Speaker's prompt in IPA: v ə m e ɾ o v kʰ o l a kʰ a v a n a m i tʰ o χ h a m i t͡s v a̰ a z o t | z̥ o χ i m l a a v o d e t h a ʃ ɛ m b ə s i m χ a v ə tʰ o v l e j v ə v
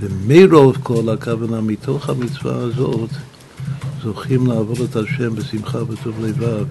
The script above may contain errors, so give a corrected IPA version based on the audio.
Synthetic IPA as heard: v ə m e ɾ o v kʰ o l a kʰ a v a n a m i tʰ o χ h a m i t͡s v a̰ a z o t | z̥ o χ i m l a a v o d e t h a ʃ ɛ m b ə s i m χ a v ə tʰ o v l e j v a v